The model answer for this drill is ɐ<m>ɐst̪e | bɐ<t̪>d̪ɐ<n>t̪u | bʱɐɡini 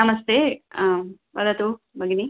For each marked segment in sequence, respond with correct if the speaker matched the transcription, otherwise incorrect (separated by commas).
correct, incorrect, incorrect